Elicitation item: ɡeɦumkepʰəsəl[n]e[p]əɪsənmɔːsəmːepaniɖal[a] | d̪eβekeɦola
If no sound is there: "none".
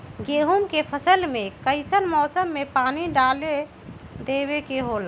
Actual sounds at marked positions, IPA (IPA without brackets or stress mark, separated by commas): m, k, e